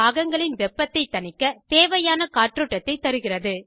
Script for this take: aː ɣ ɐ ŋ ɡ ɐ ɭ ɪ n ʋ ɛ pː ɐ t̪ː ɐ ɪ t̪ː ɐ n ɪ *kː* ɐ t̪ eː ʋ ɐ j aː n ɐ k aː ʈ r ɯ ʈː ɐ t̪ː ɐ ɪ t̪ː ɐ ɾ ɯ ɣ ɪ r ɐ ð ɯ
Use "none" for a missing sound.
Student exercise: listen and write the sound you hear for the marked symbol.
kː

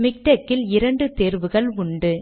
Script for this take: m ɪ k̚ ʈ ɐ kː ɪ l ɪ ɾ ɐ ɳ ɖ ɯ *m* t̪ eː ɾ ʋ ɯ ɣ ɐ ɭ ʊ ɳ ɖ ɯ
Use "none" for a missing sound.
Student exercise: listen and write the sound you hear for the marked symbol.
none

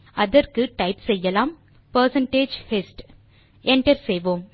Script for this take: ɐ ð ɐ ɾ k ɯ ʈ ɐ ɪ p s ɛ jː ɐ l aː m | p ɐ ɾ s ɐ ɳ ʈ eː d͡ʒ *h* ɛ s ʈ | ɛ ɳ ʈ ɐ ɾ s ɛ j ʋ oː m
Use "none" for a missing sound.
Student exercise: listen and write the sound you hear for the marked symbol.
h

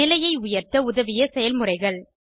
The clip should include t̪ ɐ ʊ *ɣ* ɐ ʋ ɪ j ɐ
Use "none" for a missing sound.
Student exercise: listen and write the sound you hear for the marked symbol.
ð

